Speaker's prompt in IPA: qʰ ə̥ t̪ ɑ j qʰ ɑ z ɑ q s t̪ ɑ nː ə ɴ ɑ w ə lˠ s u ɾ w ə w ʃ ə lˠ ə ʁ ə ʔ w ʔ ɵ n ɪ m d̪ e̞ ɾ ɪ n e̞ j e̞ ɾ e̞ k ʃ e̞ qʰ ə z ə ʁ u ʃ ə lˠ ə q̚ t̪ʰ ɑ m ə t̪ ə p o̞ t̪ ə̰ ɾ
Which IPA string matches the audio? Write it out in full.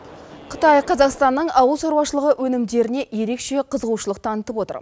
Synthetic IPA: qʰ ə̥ t̪ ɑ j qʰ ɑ z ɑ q s t̪ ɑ nː ə ɴ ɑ w ə lˠ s o ɾ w ɑ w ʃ ə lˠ ə ʁ ə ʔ w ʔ ɵ n ɪ m d̪ e̞ ɾ ɪ n e̞ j e̞ ɾ e̞ k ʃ e̞ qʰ ə z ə ʁ u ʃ ə lˠ ə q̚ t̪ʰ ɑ n ə t̪ ə p o̞ t̪ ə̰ ɾ